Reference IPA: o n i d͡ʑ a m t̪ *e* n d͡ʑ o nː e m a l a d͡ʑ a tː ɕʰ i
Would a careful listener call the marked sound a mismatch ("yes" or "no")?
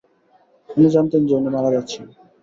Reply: no